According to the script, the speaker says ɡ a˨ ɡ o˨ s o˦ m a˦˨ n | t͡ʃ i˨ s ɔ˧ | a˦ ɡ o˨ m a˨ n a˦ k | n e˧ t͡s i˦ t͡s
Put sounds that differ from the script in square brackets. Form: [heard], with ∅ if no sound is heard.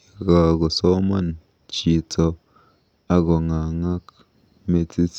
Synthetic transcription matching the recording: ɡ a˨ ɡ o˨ s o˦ m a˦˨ n | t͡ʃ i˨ [t͡s] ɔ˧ | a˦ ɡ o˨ [ŋ] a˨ [ŋ] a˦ k | [m] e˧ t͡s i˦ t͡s